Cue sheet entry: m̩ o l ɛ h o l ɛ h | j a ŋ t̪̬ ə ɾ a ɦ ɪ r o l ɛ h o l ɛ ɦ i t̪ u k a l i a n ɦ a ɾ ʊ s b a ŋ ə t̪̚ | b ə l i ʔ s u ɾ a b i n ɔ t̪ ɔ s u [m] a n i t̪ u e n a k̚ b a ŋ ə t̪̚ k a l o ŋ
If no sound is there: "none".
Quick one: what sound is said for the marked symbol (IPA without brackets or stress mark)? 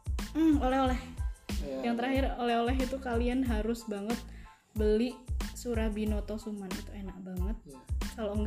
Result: m